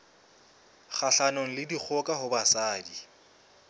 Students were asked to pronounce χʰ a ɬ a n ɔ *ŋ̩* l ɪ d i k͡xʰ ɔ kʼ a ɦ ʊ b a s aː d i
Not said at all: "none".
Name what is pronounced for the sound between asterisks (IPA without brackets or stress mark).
ŋ̩